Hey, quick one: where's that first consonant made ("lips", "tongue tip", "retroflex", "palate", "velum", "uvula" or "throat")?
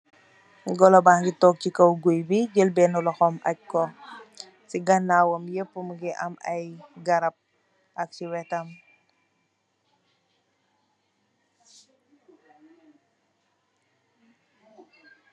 velum